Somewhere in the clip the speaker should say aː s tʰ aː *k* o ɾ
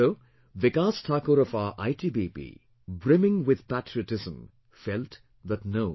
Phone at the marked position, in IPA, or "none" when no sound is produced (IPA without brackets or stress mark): k